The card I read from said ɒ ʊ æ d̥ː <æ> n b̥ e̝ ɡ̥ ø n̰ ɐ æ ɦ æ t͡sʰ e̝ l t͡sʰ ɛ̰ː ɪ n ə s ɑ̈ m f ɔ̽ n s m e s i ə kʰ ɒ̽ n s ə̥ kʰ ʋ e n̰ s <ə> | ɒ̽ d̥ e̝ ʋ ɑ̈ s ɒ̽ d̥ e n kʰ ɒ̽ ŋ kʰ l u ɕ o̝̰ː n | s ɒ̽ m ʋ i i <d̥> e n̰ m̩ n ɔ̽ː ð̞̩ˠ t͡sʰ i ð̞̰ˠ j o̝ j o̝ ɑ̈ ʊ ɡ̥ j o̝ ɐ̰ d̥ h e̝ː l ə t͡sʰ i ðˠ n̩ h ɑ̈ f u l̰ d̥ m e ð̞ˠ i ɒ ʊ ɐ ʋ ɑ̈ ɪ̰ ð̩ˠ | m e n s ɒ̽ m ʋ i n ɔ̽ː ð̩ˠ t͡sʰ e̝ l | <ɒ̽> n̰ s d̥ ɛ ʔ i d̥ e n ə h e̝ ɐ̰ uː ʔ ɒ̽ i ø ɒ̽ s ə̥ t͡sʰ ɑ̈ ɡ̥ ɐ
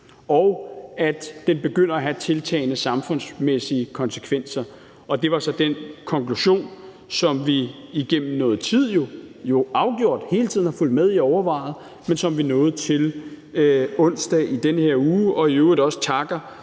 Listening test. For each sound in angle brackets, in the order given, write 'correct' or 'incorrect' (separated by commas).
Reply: incorrect, incorrect, incorrect, incorrect